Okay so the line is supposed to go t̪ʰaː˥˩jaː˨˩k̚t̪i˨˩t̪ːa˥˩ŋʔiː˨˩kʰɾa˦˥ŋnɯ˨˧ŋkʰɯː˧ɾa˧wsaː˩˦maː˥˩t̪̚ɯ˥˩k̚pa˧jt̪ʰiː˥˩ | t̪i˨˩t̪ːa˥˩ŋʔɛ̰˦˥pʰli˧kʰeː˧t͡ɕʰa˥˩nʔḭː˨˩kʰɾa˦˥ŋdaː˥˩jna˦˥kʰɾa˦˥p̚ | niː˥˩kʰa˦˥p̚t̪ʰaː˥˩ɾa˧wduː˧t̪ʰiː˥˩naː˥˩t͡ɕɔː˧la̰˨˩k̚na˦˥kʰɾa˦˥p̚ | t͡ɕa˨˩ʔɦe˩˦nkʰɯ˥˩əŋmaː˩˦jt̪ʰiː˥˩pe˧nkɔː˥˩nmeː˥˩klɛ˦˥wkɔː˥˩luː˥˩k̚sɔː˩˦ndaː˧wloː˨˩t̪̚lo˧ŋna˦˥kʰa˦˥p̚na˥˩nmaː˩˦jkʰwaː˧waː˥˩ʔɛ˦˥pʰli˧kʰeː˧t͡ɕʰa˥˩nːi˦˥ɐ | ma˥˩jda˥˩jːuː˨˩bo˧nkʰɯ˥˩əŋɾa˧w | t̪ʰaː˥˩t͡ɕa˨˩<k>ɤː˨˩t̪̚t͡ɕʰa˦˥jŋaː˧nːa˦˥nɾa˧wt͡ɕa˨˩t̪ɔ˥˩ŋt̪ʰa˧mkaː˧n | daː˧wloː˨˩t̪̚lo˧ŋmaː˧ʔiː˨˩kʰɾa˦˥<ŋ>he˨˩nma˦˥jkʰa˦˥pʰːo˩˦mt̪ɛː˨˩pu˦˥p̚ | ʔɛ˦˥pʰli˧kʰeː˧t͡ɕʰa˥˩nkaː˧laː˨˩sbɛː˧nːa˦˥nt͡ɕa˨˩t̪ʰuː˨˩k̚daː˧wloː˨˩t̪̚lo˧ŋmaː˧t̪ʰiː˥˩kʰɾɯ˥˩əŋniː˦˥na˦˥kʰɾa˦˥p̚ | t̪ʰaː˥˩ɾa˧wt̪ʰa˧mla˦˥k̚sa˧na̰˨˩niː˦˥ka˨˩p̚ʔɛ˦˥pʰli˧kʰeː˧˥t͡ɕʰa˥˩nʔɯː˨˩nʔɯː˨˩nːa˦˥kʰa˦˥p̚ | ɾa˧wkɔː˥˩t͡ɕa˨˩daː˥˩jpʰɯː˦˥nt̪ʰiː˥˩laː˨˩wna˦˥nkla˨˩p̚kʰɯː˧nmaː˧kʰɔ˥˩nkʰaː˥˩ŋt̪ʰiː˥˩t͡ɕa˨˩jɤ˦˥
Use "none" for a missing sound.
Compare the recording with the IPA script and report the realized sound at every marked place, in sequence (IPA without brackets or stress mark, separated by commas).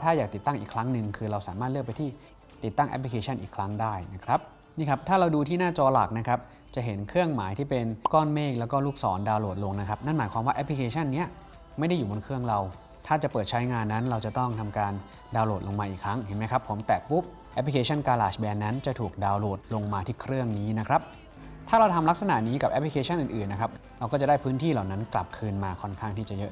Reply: p, ŋ